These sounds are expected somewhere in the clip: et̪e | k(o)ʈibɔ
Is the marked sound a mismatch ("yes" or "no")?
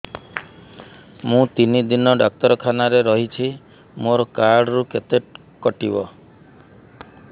yes